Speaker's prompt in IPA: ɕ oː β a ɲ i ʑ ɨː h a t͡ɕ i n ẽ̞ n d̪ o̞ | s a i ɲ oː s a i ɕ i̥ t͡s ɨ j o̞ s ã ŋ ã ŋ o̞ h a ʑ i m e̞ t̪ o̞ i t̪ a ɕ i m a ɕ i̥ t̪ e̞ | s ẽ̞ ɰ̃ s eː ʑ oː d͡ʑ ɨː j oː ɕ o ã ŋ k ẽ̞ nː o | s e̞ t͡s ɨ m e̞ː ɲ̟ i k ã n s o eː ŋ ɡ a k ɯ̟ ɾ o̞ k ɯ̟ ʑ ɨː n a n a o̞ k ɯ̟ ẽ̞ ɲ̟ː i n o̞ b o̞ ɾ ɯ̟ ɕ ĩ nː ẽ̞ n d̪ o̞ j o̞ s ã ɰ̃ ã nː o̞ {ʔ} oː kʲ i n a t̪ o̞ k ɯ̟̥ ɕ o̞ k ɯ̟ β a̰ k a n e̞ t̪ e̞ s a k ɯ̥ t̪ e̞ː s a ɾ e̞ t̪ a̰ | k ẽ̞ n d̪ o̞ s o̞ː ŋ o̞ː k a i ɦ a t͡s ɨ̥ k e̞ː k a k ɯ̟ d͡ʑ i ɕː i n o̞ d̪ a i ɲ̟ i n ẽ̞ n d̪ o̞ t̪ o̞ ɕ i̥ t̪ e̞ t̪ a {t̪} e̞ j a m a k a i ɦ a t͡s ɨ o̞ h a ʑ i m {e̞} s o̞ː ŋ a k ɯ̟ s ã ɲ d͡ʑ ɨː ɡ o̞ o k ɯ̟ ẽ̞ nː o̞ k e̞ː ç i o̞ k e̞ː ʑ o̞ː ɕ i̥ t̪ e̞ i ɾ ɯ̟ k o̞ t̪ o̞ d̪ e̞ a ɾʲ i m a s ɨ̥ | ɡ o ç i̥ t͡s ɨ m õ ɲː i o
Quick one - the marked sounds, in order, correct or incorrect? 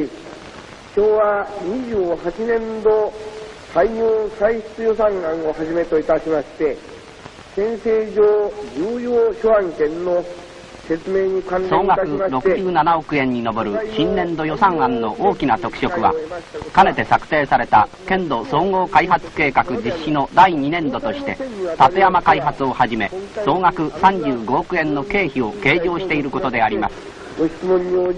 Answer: correct, correct, correct

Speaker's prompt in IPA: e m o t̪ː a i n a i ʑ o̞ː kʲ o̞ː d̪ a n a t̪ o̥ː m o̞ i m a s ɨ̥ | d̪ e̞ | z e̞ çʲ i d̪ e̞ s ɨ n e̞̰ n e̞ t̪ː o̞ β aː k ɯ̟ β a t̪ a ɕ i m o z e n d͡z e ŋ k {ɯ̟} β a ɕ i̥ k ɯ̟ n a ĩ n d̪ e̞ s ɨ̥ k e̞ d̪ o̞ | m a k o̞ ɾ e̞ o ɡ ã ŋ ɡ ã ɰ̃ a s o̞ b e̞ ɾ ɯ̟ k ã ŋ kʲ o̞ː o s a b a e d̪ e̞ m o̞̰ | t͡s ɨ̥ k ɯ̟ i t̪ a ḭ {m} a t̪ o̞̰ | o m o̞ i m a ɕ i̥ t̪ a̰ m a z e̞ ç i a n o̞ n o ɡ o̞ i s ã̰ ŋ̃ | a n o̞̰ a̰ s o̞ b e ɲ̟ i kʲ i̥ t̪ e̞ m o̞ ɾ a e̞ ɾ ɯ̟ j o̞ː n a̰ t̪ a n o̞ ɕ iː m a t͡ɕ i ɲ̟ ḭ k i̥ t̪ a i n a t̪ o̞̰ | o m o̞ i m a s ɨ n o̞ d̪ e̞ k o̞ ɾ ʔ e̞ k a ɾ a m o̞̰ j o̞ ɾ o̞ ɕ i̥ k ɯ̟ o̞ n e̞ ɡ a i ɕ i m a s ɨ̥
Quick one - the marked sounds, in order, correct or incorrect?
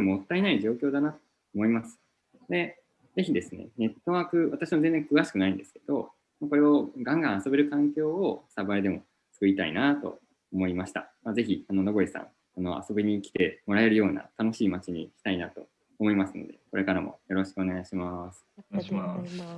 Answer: correct, incorrect: n

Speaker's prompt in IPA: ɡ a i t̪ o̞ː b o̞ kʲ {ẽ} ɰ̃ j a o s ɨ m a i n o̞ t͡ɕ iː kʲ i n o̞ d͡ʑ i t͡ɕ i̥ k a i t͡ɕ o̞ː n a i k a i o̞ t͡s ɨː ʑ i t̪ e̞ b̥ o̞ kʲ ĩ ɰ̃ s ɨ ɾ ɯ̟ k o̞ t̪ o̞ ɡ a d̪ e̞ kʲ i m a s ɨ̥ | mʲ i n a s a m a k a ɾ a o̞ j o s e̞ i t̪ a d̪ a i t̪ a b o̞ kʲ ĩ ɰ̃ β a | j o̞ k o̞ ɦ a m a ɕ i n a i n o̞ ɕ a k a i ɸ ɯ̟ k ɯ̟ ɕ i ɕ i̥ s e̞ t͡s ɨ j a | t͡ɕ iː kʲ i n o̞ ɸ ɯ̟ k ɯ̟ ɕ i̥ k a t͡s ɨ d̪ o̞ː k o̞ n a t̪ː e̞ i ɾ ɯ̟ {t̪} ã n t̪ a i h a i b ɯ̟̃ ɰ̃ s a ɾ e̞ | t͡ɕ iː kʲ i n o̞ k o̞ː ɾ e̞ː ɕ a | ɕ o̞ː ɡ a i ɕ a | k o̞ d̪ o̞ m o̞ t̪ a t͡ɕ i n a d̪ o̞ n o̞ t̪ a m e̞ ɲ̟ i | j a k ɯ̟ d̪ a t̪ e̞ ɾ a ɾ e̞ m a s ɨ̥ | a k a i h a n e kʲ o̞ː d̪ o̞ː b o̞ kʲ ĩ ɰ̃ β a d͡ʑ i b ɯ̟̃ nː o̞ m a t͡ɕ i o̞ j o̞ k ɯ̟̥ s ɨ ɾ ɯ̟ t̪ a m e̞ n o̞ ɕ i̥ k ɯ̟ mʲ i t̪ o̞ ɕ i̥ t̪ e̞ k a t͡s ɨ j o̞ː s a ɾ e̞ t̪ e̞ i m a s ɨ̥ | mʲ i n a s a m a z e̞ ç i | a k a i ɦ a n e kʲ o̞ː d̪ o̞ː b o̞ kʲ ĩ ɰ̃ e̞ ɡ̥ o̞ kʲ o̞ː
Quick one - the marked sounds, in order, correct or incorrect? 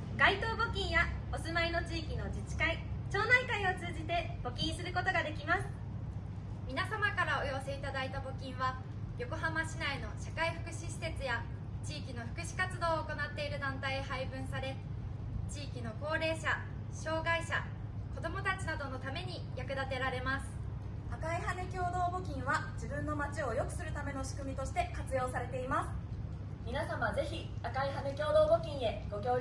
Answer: incorrect: ĩ, incorrect: d̪

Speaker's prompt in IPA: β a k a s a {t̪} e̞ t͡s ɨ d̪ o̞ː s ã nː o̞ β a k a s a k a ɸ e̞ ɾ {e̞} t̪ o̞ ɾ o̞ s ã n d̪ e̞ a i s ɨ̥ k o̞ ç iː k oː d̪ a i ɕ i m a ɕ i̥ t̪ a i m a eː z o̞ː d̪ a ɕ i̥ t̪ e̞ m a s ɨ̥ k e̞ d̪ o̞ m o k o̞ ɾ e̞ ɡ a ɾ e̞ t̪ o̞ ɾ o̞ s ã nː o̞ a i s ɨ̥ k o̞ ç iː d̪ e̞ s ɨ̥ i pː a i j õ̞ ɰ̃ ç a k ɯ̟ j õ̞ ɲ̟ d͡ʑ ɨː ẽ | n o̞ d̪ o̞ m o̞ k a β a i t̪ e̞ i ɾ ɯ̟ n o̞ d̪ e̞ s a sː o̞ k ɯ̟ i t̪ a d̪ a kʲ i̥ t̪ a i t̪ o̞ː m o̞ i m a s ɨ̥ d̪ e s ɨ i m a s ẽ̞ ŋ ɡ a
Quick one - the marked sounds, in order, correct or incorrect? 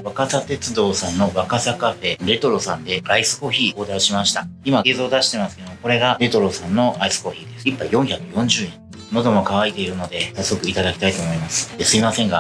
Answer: correct, correct

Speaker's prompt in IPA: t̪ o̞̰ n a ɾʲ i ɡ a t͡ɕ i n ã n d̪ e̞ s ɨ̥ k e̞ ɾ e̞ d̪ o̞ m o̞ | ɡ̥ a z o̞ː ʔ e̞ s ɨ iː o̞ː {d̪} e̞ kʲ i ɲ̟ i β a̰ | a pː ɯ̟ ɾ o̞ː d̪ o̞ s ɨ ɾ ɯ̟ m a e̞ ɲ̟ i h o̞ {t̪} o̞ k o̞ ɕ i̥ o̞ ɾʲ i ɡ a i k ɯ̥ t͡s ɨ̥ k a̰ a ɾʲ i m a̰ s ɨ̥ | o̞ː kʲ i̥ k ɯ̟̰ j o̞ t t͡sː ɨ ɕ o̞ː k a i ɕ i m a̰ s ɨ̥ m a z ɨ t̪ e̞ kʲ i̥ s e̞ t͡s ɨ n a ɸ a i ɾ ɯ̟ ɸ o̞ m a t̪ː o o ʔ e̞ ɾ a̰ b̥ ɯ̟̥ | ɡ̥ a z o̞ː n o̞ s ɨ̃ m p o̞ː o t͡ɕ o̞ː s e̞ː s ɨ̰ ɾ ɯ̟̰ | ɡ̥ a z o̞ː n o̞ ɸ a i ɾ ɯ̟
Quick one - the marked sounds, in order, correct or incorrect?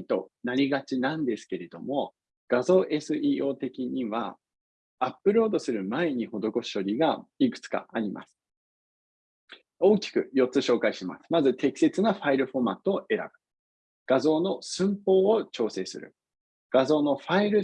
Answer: incorrect: t̪, incorrect: d̪

